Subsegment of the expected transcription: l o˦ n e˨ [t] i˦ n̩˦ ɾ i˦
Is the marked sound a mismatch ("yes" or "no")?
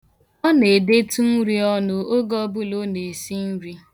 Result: yes